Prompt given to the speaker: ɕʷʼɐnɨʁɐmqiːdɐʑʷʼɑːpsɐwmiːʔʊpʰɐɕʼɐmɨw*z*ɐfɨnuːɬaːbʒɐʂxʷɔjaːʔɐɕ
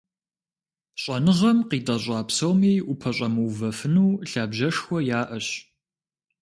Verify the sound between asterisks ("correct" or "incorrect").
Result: incorrect